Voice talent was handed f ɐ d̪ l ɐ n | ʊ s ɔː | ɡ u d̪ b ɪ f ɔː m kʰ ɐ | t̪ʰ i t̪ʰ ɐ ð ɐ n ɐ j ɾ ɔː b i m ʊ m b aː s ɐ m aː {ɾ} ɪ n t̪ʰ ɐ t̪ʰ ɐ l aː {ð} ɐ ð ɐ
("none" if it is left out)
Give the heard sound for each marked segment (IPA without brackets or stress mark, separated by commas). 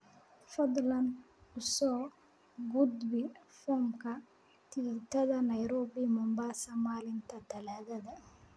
l, ð